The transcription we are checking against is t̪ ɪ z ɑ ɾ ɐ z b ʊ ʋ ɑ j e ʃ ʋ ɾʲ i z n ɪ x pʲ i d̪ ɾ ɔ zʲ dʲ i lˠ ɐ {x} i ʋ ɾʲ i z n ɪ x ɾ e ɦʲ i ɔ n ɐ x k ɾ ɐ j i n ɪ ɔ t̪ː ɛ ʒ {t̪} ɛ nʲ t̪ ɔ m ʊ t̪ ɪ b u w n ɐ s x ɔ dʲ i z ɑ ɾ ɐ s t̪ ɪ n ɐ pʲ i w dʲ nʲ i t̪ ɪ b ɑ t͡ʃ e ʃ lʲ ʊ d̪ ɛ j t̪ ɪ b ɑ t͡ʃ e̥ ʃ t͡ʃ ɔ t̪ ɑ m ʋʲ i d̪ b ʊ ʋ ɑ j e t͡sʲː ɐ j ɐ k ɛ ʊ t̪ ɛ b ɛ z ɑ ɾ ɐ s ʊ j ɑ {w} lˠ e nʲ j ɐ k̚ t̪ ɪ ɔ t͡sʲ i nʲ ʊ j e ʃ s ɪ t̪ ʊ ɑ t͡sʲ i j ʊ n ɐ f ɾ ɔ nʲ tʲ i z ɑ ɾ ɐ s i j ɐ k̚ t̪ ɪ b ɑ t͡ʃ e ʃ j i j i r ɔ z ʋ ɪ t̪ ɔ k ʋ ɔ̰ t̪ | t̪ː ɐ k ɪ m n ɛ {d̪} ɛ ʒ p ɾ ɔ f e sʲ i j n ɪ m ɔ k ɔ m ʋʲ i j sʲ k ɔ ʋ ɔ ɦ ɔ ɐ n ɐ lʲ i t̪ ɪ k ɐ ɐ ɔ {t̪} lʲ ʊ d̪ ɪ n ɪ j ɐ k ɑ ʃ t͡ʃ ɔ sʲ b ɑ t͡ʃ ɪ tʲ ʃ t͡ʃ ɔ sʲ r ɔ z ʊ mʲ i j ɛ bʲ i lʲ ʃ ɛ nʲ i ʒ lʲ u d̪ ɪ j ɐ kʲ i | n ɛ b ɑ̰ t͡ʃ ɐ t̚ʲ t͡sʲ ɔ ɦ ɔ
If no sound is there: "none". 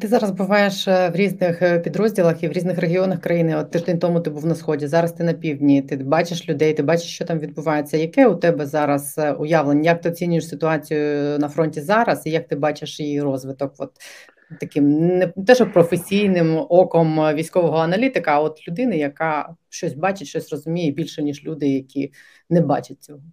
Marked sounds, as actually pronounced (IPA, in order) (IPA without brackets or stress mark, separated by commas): x, d̪, ʋ, t̪, t̪